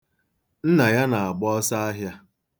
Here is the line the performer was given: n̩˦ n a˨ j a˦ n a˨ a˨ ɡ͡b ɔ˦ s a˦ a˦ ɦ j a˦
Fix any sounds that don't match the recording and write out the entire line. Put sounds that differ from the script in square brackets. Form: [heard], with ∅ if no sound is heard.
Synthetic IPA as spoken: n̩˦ n a˨ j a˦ n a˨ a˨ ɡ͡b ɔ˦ s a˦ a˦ ɦ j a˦